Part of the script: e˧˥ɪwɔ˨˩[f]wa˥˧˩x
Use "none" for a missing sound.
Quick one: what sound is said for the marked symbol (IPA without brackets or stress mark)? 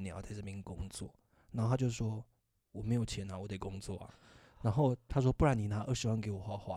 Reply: x